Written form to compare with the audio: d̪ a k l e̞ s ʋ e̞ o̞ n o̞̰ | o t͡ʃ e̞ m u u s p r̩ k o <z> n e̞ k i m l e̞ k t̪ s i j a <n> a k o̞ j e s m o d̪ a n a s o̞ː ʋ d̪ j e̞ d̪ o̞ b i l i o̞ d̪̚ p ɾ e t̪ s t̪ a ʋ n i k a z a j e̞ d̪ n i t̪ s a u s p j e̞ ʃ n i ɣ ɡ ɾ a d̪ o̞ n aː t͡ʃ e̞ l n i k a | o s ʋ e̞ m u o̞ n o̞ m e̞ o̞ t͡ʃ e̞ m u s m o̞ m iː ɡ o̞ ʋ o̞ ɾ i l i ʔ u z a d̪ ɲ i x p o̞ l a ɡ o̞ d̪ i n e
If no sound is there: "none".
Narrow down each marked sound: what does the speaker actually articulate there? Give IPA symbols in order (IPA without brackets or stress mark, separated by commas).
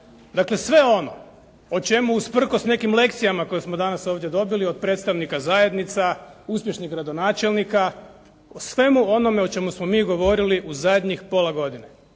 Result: s, m